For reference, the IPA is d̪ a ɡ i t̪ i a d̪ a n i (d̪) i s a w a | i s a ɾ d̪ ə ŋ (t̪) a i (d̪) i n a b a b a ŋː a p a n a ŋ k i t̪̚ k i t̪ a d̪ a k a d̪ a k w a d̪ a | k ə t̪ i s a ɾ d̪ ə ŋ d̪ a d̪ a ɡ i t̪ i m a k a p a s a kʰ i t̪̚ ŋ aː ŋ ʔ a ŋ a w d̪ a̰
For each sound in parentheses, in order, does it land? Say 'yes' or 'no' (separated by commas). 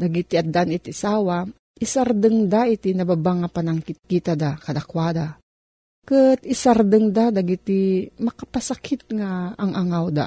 no, no, no